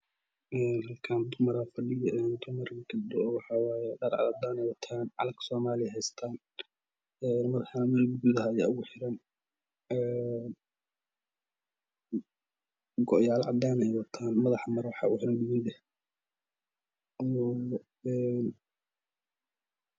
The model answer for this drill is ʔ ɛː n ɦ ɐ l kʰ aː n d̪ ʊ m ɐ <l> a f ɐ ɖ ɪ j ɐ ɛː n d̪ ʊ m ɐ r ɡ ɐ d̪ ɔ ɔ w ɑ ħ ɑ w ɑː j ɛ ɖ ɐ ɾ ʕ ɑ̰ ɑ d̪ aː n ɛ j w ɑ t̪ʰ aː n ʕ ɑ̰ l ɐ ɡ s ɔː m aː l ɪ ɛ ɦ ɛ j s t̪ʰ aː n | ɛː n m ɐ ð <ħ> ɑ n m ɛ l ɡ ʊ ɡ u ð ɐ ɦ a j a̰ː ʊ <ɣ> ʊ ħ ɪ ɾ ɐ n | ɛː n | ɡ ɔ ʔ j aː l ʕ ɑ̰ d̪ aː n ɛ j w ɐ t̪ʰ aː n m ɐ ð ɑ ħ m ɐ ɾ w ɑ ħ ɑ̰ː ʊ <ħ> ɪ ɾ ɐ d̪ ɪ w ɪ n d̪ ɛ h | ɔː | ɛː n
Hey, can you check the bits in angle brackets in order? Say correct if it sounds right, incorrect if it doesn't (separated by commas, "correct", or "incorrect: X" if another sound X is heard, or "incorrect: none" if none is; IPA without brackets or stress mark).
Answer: incorrect: ɾ, correct, correct, correct